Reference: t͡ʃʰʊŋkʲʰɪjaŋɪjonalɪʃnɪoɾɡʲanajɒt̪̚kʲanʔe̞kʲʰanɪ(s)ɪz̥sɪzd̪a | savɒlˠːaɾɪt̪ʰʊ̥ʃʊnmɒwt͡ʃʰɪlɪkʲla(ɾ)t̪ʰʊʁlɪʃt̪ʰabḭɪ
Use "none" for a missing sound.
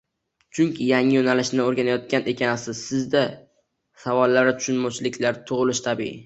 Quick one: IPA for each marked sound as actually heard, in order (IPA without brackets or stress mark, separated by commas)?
s, ɾ